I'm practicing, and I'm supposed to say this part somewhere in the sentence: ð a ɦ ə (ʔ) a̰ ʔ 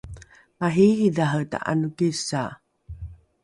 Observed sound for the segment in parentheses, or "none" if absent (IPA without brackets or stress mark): t